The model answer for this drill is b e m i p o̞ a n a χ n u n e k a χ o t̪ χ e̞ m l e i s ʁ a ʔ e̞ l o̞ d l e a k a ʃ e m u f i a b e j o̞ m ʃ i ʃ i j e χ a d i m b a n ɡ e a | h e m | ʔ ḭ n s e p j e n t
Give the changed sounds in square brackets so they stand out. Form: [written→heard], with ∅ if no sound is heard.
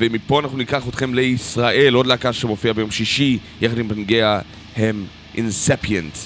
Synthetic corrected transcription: [b→v] e m i p o̞ a n a χ n u n [e→i] k a χ o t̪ χ e̞ m l e i s ʁ a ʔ e̞ l o̞ d l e a k a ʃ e m [u→o] f i a b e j o̞ m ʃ i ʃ i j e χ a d i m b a n ɡ e a | h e m | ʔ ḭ n s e p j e n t